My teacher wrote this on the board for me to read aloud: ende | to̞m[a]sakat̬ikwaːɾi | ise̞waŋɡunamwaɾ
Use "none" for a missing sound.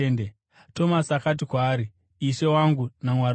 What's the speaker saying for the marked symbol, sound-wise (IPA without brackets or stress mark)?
a